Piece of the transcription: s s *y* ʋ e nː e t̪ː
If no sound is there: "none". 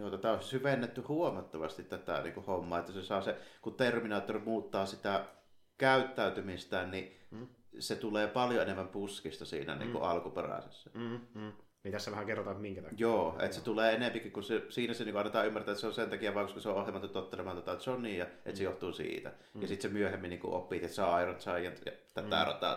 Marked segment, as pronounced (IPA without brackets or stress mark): y